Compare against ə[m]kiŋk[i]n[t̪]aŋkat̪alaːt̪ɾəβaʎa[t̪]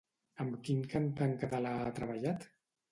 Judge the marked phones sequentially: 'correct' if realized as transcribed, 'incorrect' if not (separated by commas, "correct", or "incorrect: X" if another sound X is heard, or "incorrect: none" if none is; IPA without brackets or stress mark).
correct, incorrect: a, correct, correct